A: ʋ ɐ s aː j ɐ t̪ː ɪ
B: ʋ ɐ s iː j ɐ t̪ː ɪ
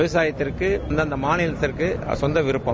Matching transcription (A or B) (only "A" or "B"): A